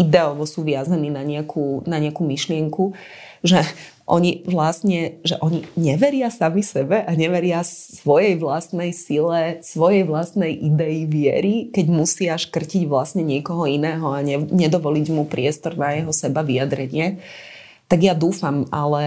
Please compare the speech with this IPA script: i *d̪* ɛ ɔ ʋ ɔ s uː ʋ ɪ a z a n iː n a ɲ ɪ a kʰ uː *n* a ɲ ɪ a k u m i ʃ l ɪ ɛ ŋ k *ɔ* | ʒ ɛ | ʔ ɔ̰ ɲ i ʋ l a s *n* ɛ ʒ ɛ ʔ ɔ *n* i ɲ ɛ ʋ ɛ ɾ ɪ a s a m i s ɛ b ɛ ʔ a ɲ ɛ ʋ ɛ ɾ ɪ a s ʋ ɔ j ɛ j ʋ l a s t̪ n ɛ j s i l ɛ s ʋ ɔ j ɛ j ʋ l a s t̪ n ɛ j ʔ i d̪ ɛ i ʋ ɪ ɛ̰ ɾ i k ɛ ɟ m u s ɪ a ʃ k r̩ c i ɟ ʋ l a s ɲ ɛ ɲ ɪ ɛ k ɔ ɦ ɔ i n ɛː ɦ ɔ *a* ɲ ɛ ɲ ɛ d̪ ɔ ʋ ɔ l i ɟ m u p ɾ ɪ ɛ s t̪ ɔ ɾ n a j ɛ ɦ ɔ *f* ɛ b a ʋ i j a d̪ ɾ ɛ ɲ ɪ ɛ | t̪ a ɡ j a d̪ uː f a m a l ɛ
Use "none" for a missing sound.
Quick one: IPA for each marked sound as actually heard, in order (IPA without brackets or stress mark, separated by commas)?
d̪, n, u, ɲ, ɲ, a, s